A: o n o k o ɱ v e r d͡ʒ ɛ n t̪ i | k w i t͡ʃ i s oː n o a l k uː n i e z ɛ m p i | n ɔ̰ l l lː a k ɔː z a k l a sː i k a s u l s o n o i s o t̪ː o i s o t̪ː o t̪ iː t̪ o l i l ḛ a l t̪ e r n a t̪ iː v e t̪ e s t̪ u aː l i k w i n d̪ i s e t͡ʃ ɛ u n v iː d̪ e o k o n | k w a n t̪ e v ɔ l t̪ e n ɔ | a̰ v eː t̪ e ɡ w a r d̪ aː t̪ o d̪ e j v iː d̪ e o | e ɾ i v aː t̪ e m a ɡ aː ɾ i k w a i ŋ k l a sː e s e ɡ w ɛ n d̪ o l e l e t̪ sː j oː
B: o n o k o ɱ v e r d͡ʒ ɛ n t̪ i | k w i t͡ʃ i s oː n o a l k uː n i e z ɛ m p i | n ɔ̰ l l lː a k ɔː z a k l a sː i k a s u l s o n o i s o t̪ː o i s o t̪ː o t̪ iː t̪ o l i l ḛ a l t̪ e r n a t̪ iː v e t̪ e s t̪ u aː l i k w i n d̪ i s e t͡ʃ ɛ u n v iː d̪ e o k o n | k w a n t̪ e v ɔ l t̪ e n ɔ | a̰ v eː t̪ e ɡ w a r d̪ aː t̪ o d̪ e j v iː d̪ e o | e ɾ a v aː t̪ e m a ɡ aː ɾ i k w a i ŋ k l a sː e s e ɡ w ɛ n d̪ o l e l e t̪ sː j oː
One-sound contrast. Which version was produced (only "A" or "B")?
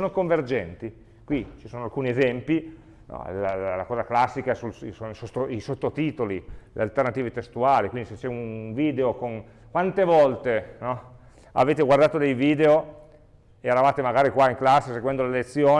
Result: B